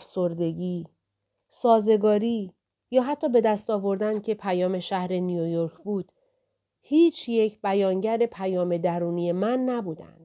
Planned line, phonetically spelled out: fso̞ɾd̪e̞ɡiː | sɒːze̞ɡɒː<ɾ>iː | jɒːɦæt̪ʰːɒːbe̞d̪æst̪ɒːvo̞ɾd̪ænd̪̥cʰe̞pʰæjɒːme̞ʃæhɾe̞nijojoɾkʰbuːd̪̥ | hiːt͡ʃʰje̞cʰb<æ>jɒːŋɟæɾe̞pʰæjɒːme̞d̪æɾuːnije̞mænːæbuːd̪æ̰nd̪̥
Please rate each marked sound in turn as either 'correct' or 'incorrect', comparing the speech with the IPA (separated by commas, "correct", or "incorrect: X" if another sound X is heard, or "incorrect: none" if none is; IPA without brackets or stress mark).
correct, correct